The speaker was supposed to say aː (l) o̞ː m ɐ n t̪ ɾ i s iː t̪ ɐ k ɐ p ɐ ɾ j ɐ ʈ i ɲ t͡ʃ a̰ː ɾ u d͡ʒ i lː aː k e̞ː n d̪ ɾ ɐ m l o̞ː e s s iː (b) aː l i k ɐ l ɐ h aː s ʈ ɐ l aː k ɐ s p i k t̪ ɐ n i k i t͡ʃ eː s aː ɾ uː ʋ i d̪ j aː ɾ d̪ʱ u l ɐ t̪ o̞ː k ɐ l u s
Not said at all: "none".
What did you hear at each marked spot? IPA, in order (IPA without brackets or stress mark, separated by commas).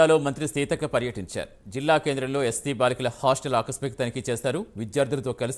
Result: l, b